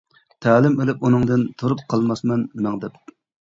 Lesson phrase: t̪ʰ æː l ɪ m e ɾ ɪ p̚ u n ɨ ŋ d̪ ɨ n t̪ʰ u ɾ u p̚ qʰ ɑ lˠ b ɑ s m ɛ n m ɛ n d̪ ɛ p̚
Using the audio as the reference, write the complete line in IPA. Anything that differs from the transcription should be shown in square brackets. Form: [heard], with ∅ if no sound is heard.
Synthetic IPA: t̪ʰ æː l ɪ m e [l] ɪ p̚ u n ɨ ŋ d̪ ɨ n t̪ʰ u ɾ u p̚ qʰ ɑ lˠ [m] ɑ s m ɛ n m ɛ [ŋ] d̪ ɛ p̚